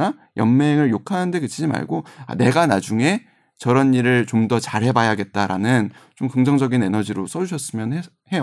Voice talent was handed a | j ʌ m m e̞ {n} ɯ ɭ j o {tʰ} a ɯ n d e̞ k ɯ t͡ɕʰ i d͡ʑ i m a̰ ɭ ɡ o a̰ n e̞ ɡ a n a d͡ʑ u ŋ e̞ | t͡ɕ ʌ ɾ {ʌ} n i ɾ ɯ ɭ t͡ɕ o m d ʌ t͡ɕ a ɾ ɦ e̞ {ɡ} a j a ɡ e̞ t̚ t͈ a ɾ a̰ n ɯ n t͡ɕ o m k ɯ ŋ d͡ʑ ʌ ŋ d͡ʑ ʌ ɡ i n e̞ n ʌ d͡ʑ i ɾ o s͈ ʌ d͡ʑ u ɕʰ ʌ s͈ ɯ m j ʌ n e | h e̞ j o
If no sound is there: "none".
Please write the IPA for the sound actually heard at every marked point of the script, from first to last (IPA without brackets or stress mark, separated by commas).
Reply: ŋ, kʰ, ʌ, b